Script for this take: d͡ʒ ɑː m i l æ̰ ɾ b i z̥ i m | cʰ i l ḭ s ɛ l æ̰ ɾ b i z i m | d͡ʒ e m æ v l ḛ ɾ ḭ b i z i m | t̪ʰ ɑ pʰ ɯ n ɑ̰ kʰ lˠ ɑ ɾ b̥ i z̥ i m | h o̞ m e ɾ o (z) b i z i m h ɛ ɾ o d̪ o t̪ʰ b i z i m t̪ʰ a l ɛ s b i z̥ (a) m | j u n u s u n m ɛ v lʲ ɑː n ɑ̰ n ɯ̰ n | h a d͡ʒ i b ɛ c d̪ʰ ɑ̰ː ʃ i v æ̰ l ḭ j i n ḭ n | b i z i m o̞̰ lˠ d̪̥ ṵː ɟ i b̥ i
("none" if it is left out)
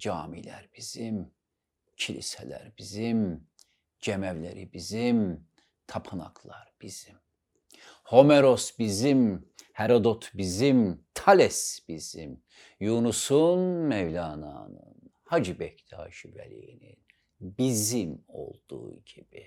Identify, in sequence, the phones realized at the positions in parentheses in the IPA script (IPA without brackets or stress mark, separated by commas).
s, i